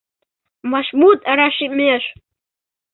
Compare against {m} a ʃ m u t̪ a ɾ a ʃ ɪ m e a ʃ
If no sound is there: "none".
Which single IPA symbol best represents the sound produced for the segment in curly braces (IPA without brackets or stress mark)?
m